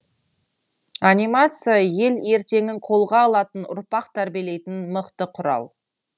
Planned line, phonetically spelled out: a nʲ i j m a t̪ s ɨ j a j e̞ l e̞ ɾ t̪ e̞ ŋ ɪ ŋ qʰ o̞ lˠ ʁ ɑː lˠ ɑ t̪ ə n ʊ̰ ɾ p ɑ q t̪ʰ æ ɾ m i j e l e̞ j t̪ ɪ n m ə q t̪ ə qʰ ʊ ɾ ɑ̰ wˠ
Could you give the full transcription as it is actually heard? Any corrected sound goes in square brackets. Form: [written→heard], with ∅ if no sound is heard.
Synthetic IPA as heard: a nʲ i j m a t̪ s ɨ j a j e̞ l e̞ ɾ t̪ e̞ ŋ ɪ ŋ qʰ o̞ lˠ ʁ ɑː lˠ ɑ t̪ ə n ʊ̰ ɾ p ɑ q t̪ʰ æ ɾ [m→b] i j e l e̞ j t̪ ɪ n m ə q t̪ ə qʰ ʊ ɾ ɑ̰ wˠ